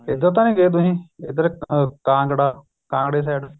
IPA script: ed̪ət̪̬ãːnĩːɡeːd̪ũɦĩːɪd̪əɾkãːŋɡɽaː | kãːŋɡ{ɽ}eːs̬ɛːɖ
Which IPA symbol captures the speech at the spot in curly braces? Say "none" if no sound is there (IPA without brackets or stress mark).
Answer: ɽ